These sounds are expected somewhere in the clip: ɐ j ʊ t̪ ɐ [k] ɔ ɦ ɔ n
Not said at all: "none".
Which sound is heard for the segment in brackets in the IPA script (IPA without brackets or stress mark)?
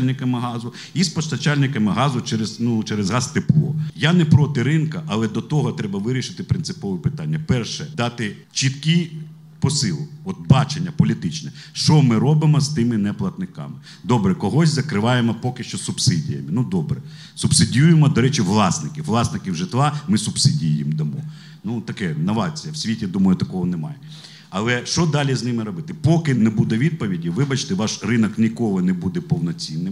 k